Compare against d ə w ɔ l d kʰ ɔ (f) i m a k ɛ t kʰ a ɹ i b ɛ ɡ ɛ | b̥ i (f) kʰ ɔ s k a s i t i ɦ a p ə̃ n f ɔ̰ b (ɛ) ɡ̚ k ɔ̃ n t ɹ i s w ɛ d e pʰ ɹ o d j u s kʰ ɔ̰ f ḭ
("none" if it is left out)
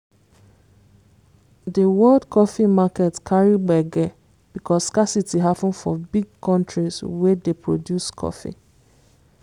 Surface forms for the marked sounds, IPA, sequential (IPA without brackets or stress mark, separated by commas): f, none, i